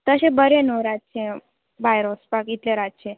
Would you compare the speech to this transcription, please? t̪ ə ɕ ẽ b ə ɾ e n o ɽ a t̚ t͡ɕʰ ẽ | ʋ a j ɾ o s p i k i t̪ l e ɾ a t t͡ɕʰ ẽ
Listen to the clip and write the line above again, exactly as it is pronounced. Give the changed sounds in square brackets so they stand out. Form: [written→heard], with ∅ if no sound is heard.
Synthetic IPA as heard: t̪ ə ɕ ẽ b ə ɾ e n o [ɽ→ɾ] a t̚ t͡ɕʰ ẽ | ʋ a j ɾ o s p [i→a] k i t̪ l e ɾ a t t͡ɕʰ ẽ